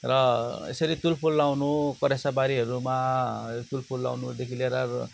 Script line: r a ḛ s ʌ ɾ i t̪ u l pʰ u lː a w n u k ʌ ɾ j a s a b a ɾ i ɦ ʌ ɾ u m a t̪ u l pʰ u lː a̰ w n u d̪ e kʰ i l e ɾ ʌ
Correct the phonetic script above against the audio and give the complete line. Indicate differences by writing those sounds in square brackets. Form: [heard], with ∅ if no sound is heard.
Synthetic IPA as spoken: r [ʌ] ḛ s ʌ ɾ i t̪ u l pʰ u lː a w n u k ʌ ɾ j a s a b a ɾ i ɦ ʌ ɾ u m a t̪ u l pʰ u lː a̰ w n u d̪ e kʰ i l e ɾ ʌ